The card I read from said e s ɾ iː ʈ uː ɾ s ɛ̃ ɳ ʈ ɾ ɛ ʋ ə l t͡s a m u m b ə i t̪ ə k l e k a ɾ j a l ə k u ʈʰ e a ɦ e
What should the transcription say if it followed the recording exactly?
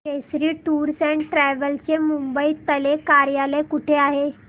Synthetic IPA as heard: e s ɾ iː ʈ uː ɾ s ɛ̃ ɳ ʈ ɾ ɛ ʋ ə l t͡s e m u m b ə i t̪ ə l e k a ɾ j a l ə k u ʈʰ e a ɦ e

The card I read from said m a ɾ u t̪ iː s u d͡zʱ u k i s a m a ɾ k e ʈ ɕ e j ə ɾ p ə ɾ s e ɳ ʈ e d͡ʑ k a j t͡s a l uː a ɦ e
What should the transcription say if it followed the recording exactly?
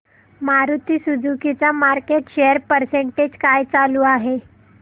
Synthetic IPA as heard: m a ɾ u t̪ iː s u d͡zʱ u k i t͡s a m a ɾ k e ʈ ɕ e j ə ɾ p ə ɾ s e ɳ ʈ e d͡ʑ k a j t͡s a l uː a ɦ e

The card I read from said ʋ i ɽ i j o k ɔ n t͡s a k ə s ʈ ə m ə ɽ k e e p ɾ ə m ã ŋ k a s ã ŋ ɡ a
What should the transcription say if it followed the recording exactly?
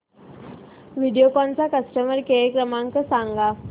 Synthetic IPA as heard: ʋ i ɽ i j o k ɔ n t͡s a k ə s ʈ ə m ə ɾ k e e k ɾ ə m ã ŋ k ə s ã ŋ ɡ a

